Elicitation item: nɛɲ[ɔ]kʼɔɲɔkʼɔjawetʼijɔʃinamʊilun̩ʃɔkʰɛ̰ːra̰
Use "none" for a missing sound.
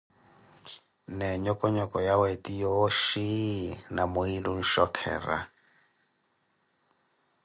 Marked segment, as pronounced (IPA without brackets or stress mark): ɔ